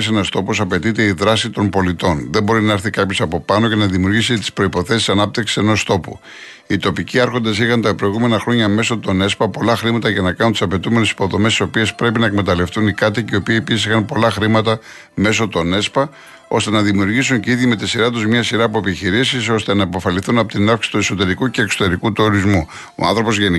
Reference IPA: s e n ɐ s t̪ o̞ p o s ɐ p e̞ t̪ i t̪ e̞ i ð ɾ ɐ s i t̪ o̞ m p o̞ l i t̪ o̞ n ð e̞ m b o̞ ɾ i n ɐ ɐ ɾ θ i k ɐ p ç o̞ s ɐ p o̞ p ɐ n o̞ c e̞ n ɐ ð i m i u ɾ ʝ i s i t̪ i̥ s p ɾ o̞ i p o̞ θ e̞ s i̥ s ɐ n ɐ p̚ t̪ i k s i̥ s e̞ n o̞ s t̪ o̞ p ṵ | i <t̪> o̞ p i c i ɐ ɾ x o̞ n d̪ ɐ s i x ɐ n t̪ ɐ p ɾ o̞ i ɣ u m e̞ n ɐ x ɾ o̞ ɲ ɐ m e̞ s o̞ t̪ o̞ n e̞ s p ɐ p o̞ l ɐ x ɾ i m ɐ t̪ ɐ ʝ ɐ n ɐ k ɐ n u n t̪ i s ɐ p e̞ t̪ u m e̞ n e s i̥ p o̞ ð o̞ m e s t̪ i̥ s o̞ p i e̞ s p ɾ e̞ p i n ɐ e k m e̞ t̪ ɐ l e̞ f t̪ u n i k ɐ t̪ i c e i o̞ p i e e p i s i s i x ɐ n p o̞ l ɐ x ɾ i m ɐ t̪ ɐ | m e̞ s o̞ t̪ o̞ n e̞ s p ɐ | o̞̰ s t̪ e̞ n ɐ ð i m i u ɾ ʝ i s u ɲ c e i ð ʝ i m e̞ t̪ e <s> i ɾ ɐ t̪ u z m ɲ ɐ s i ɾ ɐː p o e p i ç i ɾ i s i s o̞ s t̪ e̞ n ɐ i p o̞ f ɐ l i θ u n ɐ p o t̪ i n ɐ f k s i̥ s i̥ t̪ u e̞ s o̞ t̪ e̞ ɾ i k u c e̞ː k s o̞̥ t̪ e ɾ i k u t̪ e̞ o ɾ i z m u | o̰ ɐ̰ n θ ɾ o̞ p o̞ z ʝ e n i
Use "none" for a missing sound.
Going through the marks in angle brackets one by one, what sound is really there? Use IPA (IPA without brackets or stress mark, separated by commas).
t̪, s